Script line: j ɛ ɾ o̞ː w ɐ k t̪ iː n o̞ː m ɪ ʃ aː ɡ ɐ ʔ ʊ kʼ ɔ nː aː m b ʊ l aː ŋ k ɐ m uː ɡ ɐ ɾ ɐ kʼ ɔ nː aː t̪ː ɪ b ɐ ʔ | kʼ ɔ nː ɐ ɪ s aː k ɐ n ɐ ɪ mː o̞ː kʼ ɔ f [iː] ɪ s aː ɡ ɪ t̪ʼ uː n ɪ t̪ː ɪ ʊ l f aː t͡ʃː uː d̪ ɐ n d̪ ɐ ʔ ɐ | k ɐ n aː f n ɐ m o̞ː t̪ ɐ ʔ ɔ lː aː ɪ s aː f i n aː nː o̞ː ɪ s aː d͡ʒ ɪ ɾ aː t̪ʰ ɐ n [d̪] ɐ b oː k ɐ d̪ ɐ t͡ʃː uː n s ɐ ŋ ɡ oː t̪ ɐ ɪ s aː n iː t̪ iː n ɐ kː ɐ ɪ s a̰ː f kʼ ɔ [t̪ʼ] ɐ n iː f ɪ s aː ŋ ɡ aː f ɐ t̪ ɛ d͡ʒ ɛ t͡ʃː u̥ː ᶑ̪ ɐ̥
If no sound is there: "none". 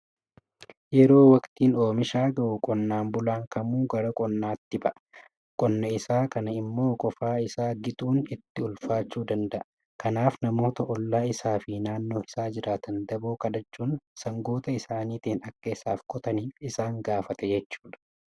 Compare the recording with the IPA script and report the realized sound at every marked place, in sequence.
aː, d̪, t̪

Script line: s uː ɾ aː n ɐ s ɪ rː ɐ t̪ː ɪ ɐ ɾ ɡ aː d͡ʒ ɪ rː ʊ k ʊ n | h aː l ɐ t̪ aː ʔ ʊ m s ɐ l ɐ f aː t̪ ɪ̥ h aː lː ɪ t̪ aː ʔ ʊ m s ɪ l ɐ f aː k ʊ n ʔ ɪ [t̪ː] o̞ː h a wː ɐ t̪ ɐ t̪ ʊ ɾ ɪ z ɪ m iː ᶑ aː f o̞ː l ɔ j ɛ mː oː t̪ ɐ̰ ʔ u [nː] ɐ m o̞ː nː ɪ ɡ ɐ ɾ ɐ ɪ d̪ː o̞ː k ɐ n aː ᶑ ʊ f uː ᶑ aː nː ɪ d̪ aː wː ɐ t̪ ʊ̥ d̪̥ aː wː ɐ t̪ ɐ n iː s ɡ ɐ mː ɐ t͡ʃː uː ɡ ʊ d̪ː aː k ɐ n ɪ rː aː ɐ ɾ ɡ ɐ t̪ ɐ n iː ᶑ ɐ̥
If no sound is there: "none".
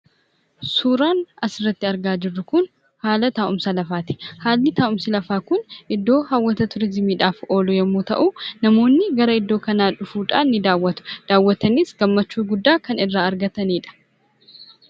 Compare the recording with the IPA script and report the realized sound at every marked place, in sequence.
d̪ː, n

